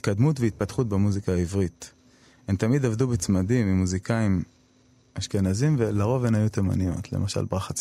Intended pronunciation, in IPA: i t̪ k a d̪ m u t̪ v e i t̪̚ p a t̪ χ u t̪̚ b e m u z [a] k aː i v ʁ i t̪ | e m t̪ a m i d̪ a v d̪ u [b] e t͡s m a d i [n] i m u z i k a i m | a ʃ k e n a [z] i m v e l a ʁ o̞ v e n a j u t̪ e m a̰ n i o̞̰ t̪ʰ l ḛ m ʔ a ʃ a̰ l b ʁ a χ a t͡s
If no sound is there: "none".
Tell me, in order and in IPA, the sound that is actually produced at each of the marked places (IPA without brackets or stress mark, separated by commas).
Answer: i, b, m, z